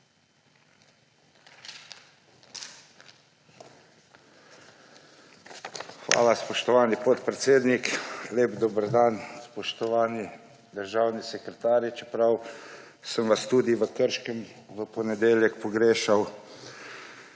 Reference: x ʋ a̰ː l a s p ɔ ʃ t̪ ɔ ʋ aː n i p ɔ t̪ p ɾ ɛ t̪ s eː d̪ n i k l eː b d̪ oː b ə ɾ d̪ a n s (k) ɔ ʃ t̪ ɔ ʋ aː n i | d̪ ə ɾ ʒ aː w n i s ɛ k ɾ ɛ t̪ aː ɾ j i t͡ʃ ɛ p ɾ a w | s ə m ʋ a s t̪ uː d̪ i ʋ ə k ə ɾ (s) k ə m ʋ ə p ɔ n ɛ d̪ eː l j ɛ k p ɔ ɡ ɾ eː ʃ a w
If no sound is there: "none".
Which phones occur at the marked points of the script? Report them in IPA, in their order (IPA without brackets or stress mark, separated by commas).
p, ʃ